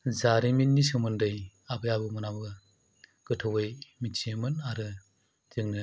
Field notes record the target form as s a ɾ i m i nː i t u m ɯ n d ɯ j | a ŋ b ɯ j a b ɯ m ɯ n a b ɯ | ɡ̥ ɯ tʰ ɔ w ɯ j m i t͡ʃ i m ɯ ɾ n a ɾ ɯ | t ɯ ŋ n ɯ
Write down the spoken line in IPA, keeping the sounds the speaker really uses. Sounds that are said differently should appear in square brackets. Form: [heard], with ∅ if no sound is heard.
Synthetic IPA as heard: [z] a ɾ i m i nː i [s] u m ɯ n d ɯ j | a [∅] b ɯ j a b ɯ m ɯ n a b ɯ | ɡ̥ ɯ tʰ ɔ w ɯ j m i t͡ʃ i m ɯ [∅] n a ɾ ɯ | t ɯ ŋ n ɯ